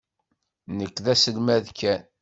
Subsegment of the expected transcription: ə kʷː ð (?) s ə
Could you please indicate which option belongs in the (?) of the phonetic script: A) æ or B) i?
A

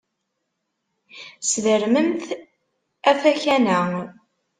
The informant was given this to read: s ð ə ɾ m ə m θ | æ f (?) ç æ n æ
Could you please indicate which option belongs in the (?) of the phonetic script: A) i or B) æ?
B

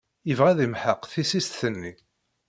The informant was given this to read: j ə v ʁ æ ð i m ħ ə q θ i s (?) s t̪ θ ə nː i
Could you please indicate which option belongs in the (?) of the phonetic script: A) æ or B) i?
B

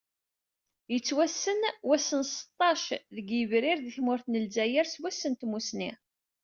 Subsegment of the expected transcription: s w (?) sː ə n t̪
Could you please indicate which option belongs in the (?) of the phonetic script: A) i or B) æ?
B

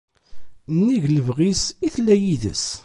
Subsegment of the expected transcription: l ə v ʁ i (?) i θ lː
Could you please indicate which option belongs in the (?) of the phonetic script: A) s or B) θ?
A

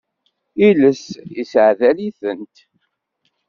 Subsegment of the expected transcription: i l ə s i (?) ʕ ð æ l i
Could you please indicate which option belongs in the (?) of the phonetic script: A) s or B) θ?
A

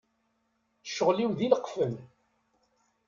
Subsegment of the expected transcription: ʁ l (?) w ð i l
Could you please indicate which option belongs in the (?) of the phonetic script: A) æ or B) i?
B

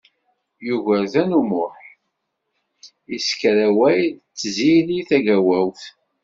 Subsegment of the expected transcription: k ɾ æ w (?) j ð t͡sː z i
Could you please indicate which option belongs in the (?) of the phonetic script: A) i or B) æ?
B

